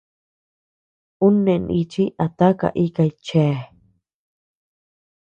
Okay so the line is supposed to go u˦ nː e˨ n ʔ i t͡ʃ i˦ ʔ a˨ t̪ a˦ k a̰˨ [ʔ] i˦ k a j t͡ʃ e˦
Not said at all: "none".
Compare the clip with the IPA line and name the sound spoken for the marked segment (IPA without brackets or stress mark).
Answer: ʔ